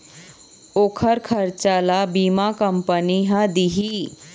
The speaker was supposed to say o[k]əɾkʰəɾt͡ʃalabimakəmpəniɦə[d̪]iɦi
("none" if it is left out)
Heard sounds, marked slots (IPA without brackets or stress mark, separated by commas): kʰ, d̪